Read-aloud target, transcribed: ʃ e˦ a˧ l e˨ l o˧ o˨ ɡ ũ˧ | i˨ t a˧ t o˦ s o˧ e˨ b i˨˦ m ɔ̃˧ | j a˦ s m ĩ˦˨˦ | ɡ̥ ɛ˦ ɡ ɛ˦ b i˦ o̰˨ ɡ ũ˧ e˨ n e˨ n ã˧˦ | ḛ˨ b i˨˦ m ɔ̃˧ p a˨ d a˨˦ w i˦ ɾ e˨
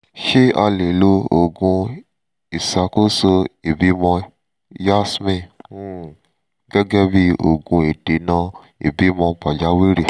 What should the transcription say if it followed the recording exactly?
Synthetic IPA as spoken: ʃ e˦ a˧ l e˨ l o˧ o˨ ɡ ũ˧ | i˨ s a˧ k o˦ s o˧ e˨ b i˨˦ m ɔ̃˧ | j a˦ s m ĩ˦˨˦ | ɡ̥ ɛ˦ ɡ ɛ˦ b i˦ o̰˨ ɡ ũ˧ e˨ d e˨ n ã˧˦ | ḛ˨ b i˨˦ m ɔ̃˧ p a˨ d͡ʒ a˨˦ w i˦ ɾ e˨

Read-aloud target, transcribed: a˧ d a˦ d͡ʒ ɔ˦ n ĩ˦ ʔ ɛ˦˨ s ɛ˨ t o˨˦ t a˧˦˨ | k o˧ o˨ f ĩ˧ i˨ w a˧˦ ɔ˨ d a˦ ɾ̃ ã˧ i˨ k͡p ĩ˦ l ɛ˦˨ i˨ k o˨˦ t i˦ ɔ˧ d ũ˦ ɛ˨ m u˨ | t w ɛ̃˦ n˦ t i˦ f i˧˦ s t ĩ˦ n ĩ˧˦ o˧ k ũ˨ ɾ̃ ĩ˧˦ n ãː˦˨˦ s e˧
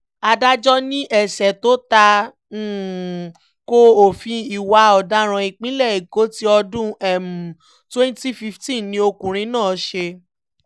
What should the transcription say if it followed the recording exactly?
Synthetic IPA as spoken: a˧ d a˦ d͡ʒ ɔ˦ n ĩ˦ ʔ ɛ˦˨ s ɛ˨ t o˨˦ t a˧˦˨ | k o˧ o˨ f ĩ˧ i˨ w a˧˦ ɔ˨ d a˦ ɾ̃ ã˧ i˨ k͡p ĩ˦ l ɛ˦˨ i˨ k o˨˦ t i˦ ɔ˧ d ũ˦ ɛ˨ m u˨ | t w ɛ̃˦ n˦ t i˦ f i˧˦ f t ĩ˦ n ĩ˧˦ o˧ k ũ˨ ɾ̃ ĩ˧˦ n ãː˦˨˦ ʃ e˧

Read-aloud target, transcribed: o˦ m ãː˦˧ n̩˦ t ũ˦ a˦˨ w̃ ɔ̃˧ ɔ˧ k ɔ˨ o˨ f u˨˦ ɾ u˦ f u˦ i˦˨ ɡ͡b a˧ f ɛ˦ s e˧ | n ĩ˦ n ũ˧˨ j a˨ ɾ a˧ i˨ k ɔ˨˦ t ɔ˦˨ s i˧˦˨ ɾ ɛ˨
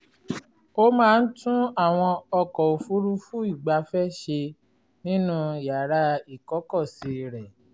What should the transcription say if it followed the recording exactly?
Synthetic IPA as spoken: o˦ m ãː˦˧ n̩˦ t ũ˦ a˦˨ w̃ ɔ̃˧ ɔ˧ k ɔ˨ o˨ f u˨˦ ɾ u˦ f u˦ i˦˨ ɡ͡b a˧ f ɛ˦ ʃ e˧ | n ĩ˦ n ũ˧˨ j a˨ ɾ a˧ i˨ k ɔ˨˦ k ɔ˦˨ s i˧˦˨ ɾ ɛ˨

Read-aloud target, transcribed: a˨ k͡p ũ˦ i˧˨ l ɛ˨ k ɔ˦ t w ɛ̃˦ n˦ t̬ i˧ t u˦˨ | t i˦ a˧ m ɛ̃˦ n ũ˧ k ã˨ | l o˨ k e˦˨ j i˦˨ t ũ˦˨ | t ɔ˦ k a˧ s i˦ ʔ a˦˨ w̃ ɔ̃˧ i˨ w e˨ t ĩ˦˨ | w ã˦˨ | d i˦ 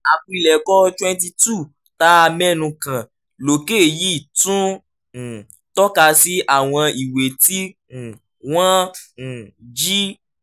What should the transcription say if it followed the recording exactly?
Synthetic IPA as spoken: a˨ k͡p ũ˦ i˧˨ l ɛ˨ k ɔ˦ t w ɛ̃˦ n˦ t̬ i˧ t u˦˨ | t a˦ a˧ m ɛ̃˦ n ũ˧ k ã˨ | l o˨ k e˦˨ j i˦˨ t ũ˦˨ | t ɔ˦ k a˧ s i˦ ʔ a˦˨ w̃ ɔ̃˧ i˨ w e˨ t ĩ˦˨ | w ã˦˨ | d͡ʒ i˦

